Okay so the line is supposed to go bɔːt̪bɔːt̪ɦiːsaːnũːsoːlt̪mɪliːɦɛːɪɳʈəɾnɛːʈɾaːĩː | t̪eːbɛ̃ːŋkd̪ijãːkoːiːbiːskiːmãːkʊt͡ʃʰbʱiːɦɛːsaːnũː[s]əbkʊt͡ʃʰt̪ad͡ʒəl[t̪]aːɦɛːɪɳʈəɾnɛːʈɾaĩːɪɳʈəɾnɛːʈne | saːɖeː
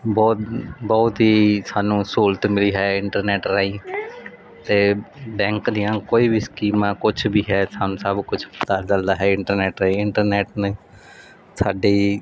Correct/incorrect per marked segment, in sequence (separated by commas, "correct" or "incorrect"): correct, incorrect